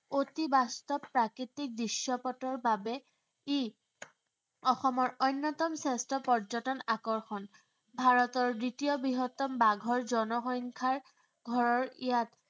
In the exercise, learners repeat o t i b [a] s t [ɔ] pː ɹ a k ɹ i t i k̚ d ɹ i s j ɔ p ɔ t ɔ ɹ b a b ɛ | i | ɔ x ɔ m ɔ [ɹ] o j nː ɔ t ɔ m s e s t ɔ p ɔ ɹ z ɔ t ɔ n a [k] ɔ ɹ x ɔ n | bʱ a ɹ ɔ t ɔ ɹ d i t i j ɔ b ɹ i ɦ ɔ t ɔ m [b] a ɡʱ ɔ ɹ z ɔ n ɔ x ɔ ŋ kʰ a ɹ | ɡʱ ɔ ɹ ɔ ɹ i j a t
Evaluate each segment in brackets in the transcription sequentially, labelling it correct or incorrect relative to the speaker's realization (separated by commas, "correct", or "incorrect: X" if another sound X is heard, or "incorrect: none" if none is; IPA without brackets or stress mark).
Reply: correct, correct, correct, correct, correct